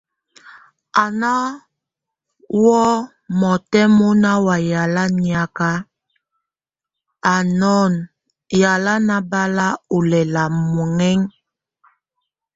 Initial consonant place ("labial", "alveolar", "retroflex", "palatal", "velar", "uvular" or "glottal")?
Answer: alveolar